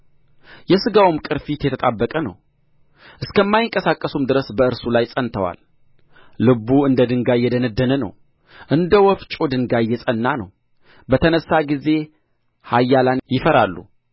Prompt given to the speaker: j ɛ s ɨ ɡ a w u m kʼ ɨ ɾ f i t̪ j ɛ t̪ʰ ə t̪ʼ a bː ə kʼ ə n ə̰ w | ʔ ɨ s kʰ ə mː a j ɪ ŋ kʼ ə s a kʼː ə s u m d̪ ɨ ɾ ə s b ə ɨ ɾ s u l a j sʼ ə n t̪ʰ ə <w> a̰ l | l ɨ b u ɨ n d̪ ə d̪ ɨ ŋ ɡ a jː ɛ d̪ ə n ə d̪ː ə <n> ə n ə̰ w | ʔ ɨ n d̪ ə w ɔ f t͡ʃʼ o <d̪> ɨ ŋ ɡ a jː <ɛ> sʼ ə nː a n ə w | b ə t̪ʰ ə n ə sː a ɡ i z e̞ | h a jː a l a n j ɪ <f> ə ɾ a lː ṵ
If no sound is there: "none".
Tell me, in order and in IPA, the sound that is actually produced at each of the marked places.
w, n, d̪, ɛ, f

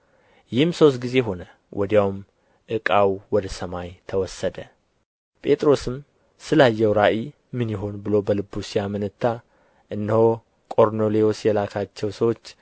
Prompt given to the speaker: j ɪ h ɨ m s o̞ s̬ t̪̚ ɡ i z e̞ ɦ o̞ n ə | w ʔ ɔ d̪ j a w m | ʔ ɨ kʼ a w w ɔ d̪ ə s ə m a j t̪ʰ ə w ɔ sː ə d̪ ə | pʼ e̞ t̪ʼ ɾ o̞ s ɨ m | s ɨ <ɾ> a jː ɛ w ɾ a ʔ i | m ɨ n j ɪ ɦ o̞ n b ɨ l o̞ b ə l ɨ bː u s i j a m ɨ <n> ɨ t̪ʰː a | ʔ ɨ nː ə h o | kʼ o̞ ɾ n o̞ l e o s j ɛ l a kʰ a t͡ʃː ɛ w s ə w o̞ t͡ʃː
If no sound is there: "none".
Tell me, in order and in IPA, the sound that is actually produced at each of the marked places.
l, n

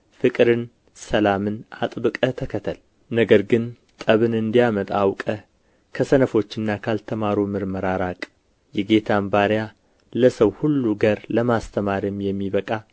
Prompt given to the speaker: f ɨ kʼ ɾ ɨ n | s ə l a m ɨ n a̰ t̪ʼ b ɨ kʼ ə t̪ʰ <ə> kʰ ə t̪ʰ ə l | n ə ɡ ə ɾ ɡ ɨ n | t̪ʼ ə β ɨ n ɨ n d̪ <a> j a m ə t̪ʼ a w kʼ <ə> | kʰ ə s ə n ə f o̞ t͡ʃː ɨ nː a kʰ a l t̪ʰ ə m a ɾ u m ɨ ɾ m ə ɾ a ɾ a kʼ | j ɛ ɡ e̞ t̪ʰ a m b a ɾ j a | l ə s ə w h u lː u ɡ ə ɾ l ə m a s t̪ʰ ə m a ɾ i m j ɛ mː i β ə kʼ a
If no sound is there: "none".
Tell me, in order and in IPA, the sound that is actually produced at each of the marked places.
ə, i, ə

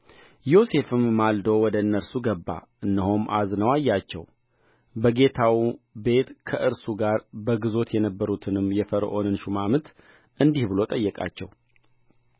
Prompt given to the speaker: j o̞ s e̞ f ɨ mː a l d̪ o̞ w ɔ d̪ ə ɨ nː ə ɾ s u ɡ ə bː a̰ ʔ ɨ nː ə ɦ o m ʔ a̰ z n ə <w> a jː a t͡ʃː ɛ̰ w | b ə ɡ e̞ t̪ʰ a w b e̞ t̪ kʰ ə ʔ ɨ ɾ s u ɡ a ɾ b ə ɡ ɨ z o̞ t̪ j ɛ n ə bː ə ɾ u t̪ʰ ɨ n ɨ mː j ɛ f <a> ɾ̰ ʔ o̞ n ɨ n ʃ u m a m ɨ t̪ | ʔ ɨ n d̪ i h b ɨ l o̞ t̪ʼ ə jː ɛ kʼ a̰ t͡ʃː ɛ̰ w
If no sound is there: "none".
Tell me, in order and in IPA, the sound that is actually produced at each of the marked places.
w, ə

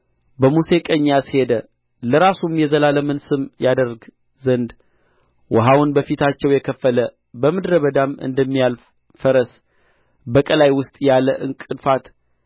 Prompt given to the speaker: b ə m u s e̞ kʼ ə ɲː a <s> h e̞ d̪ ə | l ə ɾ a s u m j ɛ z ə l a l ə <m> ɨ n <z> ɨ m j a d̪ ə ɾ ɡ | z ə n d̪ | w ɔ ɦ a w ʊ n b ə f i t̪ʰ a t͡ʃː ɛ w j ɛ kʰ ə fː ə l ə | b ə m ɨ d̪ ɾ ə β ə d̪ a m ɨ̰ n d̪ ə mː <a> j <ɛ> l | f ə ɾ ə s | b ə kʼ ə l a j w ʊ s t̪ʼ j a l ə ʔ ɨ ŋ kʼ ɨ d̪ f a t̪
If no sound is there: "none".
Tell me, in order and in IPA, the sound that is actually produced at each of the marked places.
s, m, s, i, a

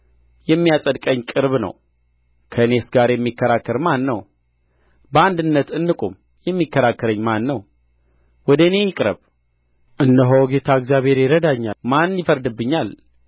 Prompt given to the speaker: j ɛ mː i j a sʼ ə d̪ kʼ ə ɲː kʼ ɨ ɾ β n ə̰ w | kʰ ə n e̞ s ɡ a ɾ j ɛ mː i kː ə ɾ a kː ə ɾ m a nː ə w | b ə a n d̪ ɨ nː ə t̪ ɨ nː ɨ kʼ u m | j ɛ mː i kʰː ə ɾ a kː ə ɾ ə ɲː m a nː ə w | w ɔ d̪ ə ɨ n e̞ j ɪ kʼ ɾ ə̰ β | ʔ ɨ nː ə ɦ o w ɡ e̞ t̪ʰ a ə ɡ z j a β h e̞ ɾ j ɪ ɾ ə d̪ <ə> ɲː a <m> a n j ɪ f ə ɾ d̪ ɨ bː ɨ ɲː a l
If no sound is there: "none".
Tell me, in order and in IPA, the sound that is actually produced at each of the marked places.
a, m

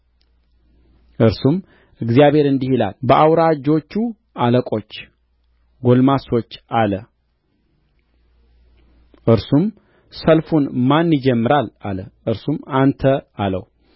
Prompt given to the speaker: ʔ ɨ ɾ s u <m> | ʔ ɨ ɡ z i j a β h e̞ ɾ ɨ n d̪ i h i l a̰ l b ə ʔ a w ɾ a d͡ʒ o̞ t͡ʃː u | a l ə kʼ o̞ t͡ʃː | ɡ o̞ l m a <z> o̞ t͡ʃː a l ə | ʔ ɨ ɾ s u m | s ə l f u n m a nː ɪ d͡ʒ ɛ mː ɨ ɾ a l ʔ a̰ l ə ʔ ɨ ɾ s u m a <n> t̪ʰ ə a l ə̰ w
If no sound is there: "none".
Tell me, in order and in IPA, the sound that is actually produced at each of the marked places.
m, s, n

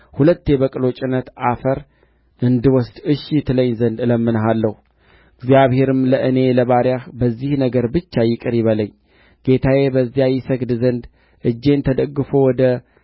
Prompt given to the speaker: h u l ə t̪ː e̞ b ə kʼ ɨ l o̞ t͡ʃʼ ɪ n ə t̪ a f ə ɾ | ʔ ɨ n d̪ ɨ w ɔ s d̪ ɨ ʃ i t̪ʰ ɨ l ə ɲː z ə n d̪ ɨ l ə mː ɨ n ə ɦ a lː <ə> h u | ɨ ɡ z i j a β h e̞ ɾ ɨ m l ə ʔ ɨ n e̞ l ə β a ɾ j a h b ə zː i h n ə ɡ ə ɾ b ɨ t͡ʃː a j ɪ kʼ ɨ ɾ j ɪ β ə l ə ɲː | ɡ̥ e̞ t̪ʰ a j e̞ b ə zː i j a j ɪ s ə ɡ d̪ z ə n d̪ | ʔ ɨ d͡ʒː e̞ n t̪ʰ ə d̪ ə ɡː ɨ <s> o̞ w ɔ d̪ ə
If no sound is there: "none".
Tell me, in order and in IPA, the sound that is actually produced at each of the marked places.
ə, f

